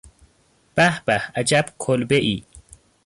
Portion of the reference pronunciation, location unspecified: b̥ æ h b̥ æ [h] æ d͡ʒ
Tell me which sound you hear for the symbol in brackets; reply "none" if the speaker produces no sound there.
h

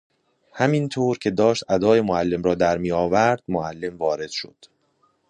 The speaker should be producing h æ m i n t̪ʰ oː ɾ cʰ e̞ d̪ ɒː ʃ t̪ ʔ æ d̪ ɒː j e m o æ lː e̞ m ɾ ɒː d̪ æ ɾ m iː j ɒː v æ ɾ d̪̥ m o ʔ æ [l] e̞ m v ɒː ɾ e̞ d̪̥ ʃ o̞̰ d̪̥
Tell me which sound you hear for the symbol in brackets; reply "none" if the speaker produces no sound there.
lː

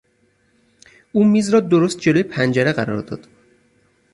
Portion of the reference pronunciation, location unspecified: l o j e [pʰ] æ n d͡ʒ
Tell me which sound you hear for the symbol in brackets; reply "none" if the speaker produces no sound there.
pʰ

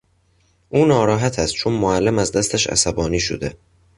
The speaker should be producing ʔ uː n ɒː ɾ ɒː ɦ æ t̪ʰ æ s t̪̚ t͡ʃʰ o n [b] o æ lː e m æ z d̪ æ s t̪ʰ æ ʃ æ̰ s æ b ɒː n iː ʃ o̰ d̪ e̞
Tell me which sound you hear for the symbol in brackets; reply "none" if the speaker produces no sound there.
m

